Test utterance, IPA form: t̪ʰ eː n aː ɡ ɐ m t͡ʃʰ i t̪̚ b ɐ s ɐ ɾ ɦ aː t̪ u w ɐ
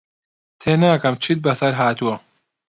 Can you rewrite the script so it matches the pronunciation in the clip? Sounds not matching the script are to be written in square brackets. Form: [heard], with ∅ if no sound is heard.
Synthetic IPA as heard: t̪ʰ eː n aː [k] ɐ m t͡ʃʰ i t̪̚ b ɐ s ɐ ɾ ɦ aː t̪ u w ɐ